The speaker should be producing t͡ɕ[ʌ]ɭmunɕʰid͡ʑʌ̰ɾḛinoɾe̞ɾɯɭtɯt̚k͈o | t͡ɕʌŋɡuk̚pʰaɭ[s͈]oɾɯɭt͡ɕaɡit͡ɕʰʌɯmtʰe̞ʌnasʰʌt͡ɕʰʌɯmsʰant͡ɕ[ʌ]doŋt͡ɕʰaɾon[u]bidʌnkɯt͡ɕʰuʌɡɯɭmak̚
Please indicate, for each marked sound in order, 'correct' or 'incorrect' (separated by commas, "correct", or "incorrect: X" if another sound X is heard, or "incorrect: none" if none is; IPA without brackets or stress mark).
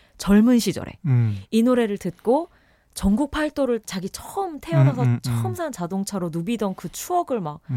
correct, incorrect: t͈, incorrect: a, correct